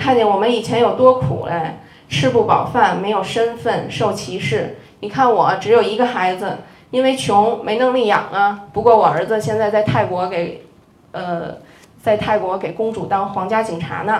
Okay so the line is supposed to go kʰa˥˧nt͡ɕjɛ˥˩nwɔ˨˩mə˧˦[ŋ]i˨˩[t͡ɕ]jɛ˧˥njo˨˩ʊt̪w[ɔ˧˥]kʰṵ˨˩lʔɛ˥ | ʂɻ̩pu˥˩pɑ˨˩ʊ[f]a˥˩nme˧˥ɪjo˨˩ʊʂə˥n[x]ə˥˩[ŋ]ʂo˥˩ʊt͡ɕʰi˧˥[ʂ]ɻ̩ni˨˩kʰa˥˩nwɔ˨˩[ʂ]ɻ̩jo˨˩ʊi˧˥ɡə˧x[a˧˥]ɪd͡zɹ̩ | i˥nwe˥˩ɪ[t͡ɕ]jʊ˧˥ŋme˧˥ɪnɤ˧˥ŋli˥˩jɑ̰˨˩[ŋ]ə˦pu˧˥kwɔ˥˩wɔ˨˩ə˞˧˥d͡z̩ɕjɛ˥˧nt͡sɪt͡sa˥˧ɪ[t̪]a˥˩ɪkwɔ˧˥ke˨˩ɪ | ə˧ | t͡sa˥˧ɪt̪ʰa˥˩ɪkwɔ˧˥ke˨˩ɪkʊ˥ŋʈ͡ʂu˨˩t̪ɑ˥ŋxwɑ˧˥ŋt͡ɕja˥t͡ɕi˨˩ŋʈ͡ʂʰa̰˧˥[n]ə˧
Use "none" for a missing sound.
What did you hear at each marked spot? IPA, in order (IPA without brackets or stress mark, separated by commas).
n, t͡ɕʰ, ɔ˥, f, f, n, ʂ, ʈ͡ʂ, a˧˥, t͡ɕʰ, ŋ, t̪ʰ, n